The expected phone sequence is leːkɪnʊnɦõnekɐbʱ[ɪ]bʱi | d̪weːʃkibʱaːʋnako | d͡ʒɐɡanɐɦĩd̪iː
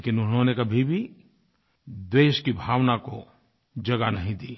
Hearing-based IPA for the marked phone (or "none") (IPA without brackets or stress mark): i